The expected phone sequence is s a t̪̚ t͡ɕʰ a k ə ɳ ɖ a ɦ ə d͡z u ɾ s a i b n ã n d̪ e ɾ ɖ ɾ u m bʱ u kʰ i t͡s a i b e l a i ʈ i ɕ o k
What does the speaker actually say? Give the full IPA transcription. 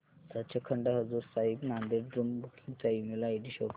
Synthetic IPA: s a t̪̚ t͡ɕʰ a kʰ ə ɳ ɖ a ɦ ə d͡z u ɾ s a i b n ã n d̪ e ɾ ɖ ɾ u m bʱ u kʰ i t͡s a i m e l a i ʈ i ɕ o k